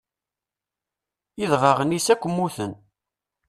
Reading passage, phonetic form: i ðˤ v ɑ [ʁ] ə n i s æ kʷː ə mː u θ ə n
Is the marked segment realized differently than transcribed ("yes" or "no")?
no